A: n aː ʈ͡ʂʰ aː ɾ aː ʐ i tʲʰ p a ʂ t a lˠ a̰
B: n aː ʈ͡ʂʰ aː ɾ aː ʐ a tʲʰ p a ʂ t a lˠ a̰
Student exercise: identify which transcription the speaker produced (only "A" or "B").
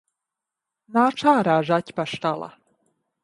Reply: B